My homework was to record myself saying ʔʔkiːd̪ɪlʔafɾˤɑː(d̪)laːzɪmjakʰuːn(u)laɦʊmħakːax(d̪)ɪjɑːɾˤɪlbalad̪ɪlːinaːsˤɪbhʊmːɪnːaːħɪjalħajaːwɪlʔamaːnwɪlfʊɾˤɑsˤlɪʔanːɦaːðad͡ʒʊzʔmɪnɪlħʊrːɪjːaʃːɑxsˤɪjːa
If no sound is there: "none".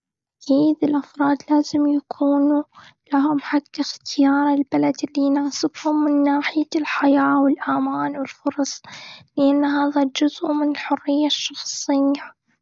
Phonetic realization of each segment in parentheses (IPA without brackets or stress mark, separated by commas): d̪, u, t̪